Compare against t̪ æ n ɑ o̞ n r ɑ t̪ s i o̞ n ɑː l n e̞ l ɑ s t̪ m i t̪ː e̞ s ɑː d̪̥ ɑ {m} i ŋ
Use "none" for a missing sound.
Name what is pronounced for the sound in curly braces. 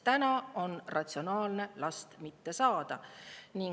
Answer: n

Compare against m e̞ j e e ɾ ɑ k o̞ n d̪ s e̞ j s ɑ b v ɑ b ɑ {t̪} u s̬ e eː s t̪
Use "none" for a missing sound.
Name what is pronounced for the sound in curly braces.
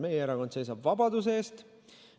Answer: d̪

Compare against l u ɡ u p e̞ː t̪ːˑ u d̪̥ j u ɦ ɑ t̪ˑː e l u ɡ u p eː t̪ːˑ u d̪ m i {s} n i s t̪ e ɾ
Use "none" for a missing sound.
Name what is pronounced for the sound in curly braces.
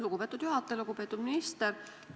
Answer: none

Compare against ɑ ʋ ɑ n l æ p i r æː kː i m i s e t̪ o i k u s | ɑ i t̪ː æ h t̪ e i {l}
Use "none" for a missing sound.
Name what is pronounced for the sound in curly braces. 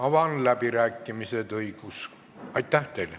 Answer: l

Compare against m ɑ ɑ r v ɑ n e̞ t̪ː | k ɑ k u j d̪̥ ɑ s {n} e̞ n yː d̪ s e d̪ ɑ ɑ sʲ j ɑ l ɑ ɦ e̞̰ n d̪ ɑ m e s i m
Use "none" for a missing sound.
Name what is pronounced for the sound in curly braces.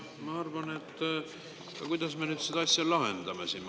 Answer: m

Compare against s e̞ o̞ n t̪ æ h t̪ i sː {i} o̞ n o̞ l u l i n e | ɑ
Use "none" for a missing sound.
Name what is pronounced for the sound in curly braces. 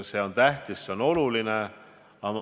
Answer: e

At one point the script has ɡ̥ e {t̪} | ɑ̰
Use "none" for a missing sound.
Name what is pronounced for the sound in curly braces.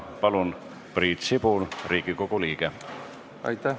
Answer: none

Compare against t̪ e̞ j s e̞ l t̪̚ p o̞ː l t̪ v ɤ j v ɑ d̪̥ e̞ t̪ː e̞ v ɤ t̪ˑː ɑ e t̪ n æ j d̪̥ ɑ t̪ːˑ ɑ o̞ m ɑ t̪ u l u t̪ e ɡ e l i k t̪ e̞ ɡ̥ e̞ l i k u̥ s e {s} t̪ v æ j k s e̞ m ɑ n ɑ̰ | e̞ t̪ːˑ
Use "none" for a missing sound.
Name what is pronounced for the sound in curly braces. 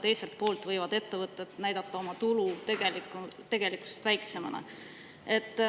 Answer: s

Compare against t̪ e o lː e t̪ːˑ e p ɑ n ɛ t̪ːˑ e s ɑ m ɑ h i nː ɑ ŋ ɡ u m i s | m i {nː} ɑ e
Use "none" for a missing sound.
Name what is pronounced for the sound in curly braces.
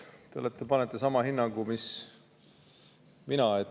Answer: n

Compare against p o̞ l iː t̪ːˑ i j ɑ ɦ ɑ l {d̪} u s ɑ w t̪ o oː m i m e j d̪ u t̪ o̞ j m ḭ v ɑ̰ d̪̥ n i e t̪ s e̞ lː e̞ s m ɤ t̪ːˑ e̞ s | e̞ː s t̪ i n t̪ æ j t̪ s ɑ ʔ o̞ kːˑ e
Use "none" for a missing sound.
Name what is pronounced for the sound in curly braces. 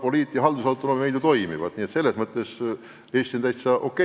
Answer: d̪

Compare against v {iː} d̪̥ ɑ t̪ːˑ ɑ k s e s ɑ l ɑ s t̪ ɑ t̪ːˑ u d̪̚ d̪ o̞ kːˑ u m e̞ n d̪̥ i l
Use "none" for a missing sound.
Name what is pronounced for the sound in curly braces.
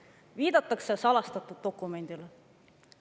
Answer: iː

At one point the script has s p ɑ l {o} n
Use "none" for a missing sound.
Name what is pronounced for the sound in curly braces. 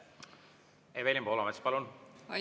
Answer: u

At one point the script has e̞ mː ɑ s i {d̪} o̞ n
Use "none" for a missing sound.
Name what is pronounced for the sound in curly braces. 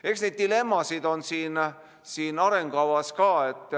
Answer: d̪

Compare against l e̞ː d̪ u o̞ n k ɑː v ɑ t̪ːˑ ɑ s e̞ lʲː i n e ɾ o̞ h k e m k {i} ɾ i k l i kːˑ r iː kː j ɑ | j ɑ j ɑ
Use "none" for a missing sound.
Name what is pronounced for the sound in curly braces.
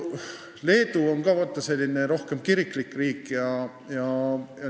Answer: i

